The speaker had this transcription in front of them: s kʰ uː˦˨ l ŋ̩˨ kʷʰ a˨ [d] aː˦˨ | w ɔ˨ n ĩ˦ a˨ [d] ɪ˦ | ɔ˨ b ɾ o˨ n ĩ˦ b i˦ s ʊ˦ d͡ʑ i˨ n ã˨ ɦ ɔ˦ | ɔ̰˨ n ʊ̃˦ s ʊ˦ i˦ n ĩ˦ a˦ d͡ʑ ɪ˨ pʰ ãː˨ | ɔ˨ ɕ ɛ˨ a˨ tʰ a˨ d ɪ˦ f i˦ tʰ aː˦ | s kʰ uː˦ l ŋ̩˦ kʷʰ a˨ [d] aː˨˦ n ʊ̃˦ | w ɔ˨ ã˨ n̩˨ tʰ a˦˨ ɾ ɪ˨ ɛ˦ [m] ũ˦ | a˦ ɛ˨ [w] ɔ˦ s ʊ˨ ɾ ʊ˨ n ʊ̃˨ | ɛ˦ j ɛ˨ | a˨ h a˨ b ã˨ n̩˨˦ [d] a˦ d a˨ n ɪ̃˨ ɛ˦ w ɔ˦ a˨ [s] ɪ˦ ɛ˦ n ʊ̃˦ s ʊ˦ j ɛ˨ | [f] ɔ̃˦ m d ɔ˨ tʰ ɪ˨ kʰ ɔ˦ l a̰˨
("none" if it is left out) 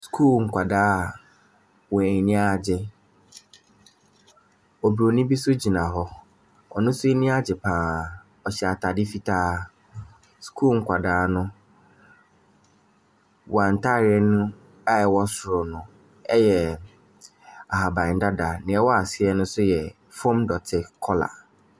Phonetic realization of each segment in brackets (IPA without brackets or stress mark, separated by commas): d, d͡ʑ, d, n, w, d, s, f